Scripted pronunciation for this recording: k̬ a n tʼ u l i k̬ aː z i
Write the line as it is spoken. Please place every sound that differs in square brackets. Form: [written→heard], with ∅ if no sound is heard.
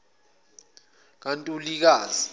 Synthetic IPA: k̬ a n tʼ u l i k̬ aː z i